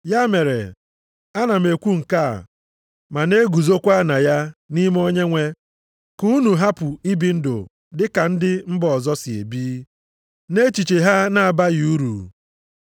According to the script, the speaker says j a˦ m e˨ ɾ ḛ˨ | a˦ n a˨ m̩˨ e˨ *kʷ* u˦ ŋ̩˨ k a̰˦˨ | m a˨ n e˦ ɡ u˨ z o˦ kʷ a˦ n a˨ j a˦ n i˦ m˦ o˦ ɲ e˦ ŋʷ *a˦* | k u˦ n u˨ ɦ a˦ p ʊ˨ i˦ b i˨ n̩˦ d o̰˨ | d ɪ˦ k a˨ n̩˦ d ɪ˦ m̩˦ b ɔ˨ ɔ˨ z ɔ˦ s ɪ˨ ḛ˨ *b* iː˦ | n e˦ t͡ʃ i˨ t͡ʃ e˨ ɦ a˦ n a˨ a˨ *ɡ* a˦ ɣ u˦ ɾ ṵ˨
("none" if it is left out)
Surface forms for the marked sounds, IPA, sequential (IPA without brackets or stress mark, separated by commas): kʷ, e˦, b, b